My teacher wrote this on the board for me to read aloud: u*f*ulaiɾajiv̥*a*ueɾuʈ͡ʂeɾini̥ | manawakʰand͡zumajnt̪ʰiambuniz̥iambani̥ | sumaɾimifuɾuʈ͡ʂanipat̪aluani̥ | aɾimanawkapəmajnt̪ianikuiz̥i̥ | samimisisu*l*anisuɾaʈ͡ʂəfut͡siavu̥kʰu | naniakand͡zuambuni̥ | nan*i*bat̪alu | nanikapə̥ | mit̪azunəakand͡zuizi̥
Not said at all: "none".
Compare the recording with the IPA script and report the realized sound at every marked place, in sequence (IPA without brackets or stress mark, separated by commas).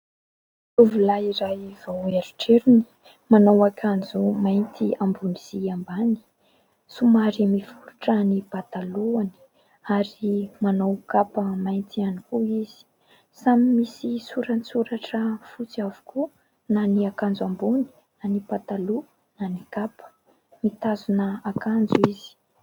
v, a, ɾ, i